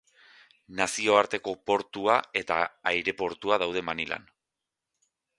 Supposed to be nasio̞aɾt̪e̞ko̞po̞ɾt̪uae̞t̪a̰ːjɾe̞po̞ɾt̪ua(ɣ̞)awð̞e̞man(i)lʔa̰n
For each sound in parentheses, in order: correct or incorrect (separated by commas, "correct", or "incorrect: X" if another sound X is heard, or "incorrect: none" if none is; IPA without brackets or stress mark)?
incorrect: ð̞, correct